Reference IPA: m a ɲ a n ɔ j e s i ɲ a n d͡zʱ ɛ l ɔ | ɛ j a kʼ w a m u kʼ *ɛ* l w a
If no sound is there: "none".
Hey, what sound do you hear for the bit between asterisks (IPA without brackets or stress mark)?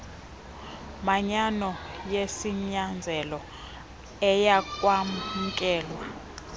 ɛː